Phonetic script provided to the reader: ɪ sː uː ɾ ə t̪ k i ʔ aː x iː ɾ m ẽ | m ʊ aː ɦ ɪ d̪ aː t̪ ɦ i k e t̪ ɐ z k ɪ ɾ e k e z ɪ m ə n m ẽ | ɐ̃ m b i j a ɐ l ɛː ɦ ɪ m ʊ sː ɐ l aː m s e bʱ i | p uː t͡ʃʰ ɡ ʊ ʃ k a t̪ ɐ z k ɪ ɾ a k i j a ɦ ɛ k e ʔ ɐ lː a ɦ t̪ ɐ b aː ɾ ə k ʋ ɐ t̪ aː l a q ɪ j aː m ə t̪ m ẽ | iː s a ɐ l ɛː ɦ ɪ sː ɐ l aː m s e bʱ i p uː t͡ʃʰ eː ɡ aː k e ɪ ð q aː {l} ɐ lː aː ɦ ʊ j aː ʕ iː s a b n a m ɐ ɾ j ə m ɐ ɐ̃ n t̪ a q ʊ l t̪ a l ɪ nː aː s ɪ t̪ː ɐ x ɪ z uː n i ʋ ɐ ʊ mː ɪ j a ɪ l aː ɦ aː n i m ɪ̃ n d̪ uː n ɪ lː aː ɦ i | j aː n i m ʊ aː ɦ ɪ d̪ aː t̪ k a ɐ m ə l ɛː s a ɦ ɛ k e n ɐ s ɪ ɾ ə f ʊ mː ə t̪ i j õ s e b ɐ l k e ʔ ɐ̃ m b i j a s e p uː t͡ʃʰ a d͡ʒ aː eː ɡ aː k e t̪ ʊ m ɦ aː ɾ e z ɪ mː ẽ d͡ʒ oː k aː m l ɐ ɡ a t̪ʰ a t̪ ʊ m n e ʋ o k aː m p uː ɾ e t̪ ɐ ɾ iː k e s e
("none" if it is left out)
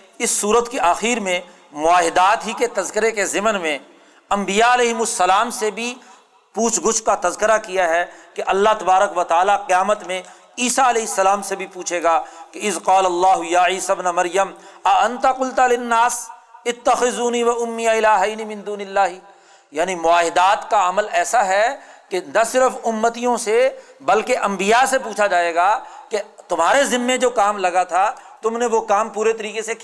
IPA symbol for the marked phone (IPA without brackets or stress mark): l